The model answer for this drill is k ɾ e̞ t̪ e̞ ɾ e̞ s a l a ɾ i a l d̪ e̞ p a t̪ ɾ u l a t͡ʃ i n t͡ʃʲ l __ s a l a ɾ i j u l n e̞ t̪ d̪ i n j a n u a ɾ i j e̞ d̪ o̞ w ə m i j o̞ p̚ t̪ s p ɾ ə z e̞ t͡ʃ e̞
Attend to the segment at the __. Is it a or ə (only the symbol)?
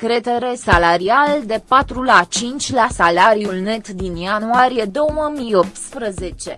a